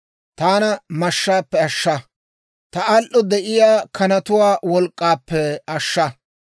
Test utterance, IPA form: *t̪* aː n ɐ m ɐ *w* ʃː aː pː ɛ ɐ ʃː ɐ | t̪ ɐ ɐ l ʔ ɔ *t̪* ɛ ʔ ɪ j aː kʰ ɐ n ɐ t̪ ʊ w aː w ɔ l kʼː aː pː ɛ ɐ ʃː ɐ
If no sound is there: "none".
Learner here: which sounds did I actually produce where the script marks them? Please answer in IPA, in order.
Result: t̪, none, d̪

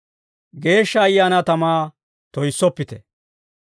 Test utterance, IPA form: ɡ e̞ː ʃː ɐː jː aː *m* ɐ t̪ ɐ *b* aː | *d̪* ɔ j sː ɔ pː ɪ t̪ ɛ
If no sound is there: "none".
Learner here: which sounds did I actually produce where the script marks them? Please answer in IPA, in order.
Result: n, m, t̪

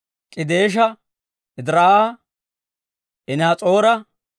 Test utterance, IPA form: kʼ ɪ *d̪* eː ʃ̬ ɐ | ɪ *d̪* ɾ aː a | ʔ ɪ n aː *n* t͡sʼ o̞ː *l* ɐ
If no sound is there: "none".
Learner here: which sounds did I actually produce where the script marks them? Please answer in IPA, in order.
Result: d̪, d̪, none, ɾ

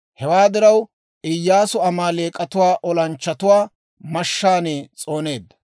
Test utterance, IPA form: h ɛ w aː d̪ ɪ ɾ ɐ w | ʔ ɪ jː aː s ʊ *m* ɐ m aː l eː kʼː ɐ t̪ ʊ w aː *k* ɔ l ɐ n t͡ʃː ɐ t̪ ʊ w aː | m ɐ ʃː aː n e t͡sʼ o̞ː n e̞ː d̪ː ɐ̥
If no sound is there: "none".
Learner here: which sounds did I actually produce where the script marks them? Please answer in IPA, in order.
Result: none, ʔ

